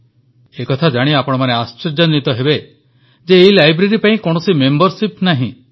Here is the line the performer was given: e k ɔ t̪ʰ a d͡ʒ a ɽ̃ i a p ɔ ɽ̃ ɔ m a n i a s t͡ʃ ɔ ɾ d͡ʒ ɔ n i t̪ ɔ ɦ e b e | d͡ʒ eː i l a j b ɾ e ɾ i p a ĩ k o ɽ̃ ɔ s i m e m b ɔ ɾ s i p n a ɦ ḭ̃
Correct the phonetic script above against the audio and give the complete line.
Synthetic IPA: e k ɔ t̪ʰ a d͡ʒ a ɽ̃ i a p ɔ ɽ̃ ɔ m a n e a s t͡ʃ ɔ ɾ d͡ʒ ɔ n i t̪ ɔ ɦ e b e | d͡ʒ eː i l a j b ɾ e ɾ i p a ĩ k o ɽ̃ ɔ s i m e m b ɔ ɾ s i p n a ɦ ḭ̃